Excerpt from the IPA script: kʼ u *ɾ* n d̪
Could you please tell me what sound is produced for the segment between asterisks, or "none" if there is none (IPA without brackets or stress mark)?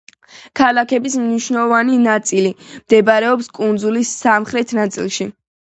none